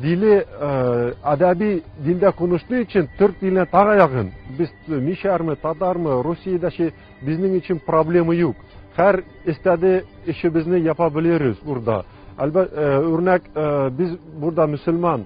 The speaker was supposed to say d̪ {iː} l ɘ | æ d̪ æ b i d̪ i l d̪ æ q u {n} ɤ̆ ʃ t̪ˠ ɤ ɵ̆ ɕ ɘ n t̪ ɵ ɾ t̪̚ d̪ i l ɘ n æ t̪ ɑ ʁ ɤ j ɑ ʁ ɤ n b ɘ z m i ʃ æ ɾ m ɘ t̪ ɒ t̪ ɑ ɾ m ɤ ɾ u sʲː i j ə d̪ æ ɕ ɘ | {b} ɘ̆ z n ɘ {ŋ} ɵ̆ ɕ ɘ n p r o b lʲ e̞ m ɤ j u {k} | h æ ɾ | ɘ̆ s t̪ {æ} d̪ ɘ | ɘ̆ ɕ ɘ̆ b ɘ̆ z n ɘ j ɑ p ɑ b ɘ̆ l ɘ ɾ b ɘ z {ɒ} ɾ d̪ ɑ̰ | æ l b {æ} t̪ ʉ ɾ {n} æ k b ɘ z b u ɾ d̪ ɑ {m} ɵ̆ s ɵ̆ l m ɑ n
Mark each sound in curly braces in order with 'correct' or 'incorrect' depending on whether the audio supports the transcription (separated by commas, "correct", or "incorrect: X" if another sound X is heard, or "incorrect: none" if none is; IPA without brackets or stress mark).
incorrect: i, correct, correct, correct, incorrect: q, correct, incorrect: u, correct, correct, correct